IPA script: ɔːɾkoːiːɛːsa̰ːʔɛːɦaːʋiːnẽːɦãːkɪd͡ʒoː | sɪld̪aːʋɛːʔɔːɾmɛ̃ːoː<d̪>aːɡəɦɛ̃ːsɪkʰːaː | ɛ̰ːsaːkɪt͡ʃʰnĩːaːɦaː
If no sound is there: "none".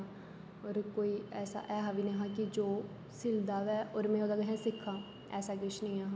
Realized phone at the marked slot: d̪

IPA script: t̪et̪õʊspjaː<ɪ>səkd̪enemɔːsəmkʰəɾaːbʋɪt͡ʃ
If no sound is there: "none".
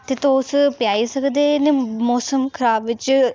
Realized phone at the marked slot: i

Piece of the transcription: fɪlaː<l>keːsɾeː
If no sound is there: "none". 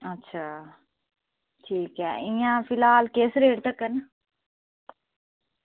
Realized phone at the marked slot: l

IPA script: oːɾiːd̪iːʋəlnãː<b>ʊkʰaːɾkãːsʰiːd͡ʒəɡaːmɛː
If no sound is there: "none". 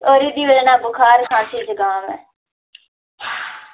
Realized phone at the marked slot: b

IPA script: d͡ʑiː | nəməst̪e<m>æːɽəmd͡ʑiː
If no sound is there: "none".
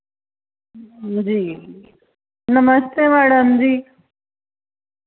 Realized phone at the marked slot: m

